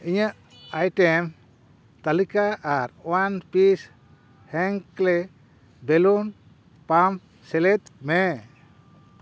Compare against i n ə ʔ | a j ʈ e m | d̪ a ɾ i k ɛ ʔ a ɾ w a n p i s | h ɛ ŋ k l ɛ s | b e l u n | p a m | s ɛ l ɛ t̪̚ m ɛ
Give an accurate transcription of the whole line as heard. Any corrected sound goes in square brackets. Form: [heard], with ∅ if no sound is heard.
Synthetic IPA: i [ɲ] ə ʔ | a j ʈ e m | [t̪] a [l] i k [a] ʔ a ɾ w a n p i s | h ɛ ŋ k l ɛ [∅] | b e l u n | p a m | s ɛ l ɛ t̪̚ m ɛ